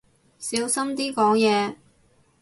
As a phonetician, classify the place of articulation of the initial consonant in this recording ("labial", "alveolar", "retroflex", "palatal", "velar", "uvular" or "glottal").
alveolar